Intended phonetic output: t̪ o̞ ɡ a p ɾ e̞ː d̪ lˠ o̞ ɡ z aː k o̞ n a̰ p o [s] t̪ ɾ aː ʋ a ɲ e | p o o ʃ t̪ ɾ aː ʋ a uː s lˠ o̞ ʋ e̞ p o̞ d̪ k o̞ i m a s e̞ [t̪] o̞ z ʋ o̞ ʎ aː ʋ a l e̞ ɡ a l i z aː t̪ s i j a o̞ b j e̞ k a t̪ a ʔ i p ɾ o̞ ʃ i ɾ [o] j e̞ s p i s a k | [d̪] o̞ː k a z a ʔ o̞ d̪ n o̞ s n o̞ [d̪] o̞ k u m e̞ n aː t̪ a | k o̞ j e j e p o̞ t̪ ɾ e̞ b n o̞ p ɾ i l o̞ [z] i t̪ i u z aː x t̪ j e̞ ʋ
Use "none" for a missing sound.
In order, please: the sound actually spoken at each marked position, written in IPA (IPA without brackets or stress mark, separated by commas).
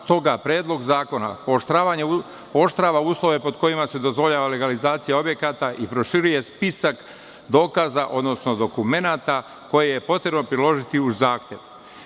ʃ, d̪, u, d̪, d̪, ʒ